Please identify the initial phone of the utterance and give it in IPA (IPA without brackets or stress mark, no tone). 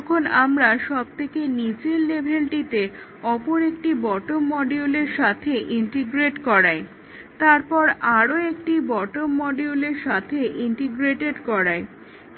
kʰ